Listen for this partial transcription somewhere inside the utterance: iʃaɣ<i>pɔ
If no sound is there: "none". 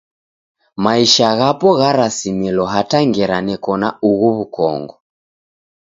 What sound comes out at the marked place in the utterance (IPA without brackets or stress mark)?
a